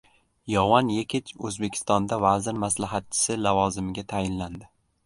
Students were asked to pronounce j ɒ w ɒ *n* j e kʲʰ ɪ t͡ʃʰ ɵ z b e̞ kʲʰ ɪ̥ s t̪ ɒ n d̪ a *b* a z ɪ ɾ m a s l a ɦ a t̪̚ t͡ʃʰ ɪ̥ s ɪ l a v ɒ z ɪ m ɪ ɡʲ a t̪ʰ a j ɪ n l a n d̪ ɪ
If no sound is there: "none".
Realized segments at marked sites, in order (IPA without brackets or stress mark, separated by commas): n, v